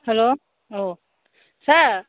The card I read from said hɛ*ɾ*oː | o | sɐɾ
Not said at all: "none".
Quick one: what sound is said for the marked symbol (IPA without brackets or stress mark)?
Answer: l